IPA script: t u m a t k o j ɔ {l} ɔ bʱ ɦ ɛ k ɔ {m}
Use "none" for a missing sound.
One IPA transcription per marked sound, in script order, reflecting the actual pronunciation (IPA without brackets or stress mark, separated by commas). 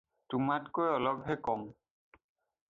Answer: l, m